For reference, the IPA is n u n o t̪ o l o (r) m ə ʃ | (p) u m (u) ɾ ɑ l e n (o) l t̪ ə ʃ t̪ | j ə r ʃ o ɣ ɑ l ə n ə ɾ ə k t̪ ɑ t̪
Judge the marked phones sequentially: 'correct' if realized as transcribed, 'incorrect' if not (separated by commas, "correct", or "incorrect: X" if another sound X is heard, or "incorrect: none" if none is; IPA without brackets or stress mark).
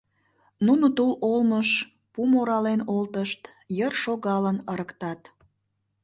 incorrect: l, correct, incorrect: o, correct